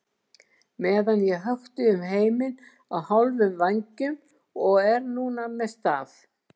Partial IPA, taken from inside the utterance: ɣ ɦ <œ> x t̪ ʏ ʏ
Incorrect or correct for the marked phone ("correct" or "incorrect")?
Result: correct